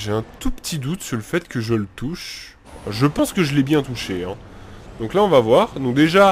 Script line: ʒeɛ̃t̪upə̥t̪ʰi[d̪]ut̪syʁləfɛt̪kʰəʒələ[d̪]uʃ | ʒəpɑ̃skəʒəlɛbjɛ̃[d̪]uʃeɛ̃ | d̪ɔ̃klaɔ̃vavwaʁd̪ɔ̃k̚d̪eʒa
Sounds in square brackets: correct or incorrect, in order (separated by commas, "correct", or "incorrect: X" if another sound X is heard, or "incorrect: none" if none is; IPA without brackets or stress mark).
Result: correct, incorrect: t̪, incorrect: t̪